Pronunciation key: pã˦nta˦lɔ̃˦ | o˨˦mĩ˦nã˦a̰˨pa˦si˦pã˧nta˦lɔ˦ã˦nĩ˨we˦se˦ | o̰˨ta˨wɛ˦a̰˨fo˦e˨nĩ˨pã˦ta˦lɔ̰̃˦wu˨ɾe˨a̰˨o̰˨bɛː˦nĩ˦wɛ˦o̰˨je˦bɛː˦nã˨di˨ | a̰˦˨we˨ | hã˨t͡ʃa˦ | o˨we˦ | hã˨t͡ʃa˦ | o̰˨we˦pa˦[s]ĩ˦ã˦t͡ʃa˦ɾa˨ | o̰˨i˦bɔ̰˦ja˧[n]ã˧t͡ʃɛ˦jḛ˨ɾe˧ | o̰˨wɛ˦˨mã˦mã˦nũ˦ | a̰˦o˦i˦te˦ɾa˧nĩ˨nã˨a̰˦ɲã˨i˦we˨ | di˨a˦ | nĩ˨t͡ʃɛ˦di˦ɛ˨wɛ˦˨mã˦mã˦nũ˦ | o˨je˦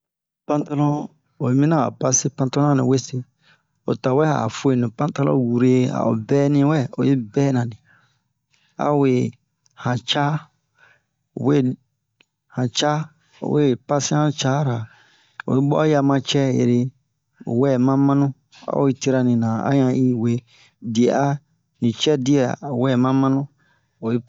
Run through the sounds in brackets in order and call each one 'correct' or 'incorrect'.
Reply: correct, incorrect

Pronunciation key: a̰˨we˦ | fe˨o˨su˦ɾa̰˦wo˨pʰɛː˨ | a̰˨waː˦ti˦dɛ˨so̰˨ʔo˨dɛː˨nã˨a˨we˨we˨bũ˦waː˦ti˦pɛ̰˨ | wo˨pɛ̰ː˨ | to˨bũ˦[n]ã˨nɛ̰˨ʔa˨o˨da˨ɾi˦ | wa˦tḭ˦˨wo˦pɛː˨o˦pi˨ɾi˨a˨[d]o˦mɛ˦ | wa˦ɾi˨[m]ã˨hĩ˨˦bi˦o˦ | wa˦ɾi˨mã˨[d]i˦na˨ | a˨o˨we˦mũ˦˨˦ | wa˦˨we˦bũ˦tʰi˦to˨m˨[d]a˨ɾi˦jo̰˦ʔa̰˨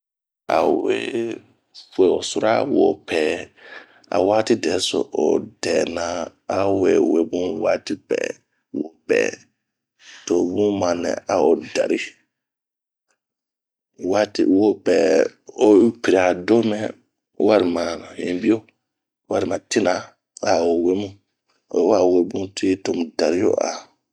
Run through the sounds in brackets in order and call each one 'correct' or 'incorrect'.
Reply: incorrect, correct, correct, incorrect, correct

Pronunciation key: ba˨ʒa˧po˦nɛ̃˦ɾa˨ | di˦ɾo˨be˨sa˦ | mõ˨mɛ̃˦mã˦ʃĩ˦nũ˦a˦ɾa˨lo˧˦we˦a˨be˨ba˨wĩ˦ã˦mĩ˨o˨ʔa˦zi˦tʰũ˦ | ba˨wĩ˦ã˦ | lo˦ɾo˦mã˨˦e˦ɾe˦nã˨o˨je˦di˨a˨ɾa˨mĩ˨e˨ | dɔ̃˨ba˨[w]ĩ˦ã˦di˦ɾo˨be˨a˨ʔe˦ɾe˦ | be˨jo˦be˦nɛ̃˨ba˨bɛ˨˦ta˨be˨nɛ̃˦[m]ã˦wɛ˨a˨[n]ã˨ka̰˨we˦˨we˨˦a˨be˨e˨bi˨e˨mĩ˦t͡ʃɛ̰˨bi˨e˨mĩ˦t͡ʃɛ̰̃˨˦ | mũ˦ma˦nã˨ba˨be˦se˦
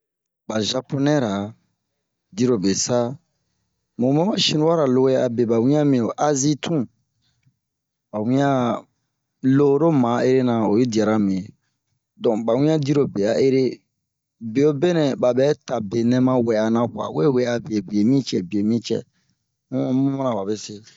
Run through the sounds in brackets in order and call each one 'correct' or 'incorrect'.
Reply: correct, correct, correct

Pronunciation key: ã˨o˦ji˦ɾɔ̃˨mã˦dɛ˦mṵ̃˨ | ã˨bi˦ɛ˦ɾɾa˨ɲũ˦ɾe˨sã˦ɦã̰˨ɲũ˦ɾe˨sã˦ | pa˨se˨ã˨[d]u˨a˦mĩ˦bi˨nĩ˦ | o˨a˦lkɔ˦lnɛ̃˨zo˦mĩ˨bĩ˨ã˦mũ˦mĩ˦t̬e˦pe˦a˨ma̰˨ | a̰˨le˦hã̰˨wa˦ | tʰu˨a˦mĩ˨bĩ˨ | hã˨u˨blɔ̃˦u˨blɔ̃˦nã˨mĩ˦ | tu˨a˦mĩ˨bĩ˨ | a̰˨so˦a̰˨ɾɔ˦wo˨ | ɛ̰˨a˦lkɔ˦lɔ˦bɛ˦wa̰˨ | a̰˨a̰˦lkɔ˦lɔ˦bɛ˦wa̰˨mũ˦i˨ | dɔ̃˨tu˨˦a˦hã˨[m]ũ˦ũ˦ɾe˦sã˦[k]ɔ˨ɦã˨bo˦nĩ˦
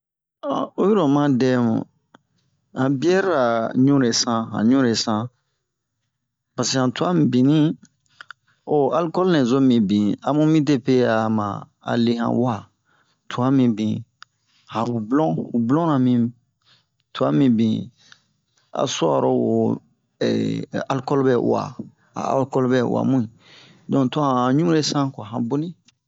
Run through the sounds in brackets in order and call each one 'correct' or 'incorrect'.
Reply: incorrect, incorrect, correct

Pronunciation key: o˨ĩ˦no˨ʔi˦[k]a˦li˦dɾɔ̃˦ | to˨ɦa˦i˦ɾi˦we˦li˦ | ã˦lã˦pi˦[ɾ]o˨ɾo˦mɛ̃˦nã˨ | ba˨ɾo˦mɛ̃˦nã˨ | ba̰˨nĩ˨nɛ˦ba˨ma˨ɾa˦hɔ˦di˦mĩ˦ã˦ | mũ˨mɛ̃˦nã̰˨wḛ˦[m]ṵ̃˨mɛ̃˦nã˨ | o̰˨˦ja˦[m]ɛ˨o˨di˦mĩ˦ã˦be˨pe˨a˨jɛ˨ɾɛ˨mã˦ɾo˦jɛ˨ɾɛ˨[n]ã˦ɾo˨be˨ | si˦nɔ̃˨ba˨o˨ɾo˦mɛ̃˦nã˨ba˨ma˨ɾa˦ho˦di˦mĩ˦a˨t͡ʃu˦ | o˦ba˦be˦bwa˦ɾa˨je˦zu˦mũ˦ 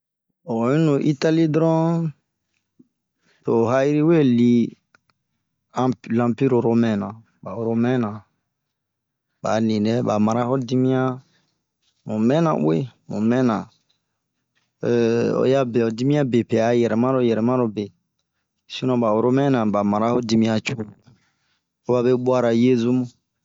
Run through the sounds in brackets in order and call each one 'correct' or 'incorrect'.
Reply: incorrect, correct, correct, incorrect, incorrect

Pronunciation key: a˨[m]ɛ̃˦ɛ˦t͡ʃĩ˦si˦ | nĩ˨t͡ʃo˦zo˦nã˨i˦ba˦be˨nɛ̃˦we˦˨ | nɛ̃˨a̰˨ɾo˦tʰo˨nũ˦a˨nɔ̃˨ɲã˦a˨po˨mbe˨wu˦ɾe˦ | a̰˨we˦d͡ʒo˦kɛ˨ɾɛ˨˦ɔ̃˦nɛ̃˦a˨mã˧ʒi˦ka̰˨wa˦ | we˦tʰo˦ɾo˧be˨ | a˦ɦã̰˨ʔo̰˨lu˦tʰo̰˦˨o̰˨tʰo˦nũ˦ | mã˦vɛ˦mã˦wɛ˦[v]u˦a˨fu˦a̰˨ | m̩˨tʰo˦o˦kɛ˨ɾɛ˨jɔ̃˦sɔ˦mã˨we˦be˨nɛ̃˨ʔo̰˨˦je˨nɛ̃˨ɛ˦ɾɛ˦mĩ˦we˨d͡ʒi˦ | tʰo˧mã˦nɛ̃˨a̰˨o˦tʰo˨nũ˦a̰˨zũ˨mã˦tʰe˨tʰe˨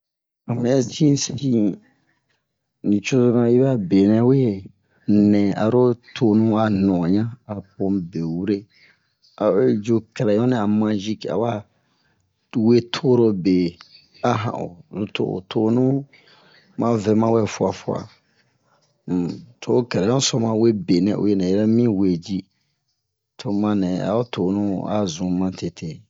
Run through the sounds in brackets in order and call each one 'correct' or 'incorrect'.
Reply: correct, incorrect

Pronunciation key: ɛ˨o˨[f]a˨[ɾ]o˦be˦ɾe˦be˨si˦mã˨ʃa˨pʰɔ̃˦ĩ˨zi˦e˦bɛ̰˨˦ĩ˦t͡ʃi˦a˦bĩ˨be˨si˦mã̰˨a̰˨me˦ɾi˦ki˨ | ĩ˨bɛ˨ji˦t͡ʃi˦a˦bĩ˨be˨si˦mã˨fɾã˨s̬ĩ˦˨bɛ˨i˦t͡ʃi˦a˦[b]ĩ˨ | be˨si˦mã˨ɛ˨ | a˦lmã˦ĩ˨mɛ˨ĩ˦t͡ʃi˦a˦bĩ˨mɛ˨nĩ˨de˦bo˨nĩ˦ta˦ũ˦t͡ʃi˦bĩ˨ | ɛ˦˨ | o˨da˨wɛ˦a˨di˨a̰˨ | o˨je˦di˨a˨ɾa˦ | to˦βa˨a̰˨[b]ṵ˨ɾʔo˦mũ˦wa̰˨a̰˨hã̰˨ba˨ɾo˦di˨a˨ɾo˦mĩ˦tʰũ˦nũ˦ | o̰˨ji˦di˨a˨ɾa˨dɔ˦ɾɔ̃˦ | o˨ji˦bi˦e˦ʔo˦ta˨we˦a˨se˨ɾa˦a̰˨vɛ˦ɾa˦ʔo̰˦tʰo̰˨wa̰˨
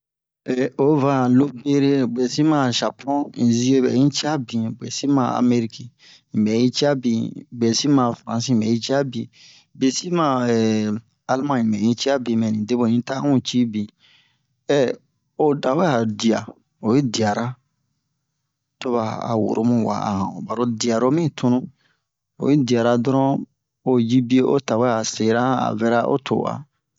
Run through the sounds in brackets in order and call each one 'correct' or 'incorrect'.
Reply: incorrect, incorrect, correct, incorrect

